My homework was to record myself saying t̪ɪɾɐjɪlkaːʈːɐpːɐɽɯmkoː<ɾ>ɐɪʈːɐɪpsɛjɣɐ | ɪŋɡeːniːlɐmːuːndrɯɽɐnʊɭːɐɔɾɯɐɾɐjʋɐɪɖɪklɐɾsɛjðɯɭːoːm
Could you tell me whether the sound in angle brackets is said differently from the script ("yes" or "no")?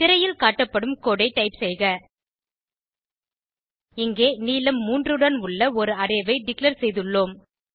yes